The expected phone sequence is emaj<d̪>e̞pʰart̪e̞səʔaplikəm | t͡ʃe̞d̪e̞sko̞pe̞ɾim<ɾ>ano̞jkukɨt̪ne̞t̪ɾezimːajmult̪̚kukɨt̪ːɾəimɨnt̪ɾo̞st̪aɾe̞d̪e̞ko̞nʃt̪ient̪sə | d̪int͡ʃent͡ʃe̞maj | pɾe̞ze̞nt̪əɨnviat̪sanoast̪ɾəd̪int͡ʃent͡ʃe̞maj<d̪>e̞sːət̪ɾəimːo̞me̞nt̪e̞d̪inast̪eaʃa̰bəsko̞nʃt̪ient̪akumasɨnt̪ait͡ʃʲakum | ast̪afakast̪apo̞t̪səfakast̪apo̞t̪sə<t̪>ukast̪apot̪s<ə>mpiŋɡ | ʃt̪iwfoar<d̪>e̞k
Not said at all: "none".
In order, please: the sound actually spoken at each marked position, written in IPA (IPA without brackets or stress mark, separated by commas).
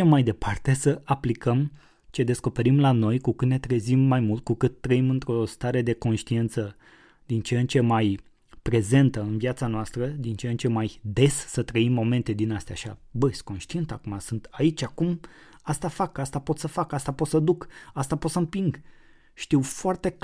d̪, l, d̪, d̪, ə, t̪